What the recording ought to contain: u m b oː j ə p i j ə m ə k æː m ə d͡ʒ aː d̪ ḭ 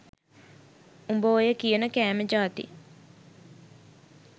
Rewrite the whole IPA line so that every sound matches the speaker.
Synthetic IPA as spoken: u m b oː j ə k i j ə n ə k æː m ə d͡ʒ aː t̪ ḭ